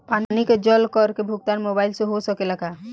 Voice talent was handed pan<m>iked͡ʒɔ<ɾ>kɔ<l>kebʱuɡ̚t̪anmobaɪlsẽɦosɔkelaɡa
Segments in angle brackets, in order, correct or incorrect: incorrect: n, incorrect: l, incorrect: ɾ

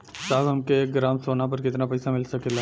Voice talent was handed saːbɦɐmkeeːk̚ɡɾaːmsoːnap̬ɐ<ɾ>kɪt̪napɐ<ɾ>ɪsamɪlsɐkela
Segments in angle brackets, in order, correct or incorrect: correct, incorrect: none

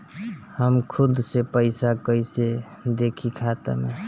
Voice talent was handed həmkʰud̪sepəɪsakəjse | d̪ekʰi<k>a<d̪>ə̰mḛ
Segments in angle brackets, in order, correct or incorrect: incorrect: kʰ, incorrect: t̪

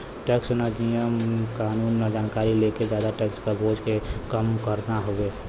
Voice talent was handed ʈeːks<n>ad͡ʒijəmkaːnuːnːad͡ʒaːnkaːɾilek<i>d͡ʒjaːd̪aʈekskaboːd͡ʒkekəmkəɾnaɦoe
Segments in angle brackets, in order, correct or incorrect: correct, incorrect: e

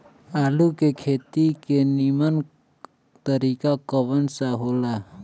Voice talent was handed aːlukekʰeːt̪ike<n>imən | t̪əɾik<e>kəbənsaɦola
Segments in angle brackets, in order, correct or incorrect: correct, incorrect: a

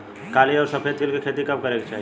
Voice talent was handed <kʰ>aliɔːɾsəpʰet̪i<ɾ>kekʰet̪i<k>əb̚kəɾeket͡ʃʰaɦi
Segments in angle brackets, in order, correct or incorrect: incorrect: k, incorrect: l, correct

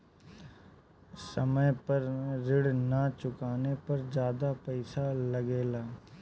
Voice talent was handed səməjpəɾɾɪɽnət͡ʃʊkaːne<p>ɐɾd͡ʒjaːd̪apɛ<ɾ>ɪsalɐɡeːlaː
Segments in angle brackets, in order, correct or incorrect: correct, incorrect: none

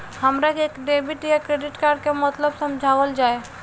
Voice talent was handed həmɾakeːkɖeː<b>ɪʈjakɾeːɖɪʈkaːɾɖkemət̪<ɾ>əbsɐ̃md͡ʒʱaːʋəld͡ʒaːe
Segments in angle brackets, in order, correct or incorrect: correct, incorrect: l

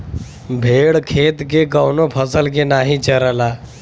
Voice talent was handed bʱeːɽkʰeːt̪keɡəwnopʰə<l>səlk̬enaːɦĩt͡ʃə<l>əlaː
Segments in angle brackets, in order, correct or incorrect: incorrect: none, incorrect: ɾ

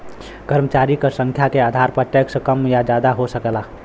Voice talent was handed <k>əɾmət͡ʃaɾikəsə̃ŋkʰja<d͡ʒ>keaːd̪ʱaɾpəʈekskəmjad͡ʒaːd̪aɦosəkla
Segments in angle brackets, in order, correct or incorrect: correct, incorrect: none

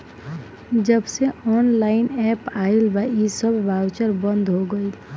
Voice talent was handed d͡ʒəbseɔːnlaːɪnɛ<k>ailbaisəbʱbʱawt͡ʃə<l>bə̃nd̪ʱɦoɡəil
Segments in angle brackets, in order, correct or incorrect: incorrect: p, incorrect: ɾ

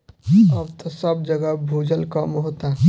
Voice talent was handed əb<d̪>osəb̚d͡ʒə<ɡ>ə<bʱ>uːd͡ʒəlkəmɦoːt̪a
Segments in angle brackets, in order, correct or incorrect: incorrect: t̪, correct, correct

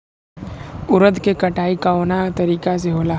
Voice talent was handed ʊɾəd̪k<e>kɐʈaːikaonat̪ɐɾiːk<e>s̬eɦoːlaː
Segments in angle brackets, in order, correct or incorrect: correct, incorrect: a

